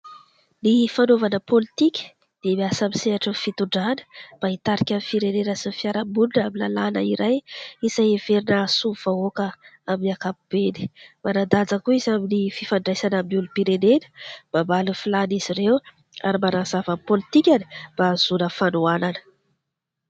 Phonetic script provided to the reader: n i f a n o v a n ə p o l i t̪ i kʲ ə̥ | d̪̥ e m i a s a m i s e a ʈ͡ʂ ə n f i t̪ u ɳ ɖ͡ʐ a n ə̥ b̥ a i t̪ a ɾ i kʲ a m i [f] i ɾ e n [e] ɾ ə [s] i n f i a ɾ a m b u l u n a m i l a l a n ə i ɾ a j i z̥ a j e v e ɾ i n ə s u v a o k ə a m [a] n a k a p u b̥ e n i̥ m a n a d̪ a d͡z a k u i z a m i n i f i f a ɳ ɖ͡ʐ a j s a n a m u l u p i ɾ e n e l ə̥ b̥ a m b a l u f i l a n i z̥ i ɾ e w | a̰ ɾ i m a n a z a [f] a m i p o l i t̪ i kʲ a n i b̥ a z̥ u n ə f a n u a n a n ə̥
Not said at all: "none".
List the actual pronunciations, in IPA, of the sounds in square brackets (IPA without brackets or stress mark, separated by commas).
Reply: f, e, s, i, v